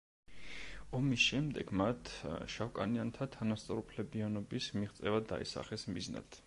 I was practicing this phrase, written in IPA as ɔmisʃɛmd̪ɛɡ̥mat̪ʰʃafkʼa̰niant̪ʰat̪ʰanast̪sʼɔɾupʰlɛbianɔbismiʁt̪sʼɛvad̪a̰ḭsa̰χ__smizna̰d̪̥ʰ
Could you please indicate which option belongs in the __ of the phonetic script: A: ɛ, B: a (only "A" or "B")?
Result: A